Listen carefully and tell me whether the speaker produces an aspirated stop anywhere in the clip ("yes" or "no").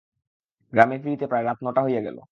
no